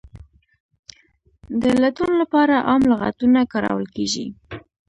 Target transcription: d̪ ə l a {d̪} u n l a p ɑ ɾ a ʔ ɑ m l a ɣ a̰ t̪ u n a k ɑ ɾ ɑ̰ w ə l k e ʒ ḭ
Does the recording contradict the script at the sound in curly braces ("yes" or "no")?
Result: yes